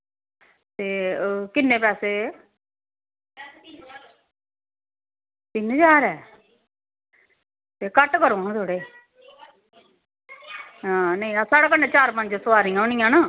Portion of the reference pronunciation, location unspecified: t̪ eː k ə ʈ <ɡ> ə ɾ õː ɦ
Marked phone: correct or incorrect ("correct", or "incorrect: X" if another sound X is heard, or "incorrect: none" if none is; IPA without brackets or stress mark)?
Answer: incorrect: k